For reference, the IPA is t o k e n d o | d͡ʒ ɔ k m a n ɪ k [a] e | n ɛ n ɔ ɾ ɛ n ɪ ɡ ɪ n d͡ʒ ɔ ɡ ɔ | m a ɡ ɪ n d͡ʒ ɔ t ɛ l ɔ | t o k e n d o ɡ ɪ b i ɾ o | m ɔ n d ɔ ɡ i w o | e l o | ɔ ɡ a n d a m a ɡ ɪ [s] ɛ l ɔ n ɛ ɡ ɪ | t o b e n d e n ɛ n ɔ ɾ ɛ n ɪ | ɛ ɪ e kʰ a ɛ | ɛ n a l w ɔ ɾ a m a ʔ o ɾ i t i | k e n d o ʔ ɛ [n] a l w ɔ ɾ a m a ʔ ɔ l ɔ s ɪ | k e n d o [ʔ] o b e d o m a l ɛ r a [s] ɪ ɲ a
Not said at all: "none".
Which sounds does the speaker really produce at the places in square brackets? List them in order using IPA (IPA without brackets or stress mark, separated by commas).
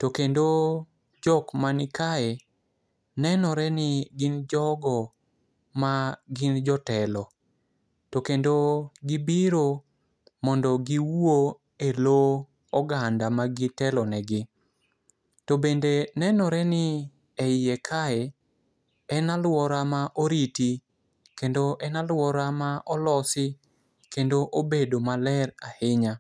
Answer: a, t, n, ʔ, h